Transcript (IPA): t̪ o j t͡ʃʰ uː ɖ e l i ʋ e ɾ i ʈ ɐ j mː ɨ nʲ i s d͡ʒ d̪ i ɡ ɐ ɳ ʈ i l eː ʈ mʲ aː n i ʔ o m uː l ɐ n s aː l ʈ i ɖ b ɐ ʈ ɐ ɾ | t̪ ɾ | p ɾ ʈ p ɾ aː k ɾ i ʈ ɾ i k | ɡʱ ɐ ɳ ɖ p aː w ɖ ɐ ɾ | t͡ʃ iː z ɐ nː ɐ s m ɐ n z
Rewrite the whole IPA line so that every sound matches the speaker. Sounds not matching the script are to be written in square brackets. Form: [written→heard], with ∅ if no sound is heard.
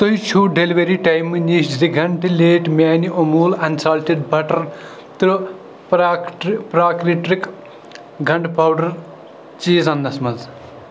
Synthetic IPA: t̪ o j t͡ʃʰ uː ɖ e l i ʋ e ɾ i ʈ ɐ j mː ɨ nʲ i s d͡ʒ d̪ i ɡ ɐ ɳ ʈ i l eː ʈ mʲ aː n i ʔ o m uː l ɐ n s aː l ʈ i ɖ b ɐ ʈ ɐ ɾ | t̪ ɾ | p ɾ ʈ p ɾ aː k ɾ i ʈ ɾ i k | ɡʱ ɐ ɳ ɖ p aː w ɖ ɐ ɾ | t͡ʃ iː z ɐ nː ɐ s m ɐ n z

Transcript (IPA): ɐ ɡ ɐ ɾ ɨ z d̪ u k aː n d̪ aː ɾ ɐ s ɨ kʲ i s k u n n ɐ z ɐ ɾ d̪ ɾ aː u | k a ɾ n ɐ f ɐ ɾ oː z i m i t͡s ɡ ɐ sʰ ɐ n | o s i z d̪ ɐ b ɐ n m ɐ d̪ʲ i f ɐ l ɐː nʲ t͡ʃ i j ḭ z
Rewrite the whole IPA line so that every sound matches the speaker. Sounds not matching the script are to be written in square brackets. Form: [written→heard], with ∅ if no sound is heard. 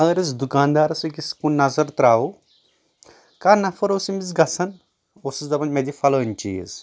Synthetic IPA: ɐ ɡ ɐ ɾ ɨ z d̪ u k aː n d̪ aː ɾ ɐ s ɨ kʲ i s k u n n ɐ z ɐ ɾ [d̪→t̪] ɾ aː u | k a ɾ n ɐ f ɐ ɾ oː [z→s] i m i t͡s ɡ ɐ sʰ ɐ n | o s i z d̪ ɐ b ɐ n m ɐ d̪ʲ i f ɐ l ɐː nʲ t͡ʃ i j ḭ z

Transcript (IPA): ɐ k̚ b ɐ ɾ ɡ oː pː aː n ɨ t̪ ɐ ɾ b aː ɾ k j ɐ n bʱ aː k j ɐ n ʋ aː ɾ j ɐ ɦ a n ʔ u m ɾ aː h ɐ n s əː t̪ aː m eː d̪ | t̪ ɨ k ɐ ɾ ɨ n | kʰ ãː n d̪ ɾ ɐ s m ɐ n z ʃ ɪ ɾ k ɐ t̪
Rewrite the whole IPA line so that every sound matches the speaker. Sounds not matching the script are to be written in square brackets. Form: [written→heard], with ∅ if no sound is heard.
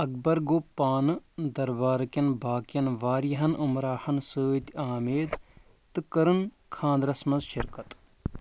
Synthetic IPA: ɐ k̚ b ɐ ɾ ɡ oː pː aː n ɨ [t̪→d̪] ɐ ɾ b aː ɾ k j ɐ n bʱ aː k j ɐ n ʋ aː ɾ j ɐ ɦ [a→ɐ] n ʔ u m ɾ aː h ɐ n s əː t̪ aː m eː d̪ | t̪ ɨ k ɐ ɾ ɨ n | kʰ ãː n d̪ ɾ ɐ s m ɐ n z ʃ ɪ ɾ k ɐ t̪

